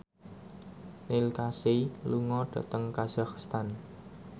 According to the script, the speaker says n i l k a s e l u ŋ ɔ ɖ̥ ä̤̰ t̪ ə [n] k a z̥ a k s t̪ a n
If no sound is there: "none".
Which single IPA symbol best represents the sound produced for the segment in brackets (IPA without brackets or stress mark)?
ŋ